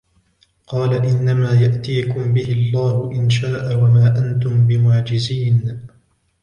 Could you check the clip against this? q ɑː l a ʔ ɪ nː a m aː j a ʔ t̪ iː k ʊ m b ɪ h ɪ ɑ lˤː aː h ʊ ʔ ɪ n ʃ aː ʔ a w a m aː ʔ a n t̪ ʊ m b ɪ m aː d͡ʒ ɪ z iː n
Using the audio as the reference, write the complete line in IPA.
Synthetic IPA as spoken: q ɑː l a ʔ ɪ nː a m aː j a ʔ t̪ iː k ʊ m b ɪ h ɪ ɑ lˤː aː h ʊ ʔ ɪ n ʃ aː ʔ a w a m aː ʔ a n t̪ ʊ m b ɪ m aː d͡ʒ ɪ z iː n

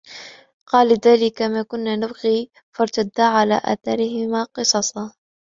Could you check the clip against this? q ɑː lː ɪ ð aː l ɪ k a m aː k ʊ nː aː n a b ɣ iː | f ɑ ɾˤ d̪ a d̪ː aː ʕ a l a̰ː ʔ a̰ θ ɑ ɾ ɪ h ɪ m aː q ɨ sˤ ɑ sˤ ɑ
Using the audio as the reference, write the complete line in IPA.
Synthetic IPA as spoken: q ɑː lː ɪ ð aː l ɪ k a m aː k ʊ nː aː n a b ɣ iː | f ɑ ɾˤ t̪ a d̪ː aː ʕ a l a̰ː ʔ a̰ θ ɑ ɾ ɪ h ɪ m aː q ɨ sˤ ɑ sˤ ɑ

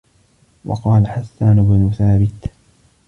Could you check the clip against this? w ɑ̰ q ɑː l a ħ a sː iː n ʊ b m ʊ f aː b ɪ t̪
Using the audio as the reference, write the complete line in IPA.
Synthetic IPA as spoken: w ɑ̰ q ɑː l a ħ a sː aː n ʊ b n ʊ θ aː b ɪ t̪

